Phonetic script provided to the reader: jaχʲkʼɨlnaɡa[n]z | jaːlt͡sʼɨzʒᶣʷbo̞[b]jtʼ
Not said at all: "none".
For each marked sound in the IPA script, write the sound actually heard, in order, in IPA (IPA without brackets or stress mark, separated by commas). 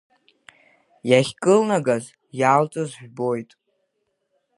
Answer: none, none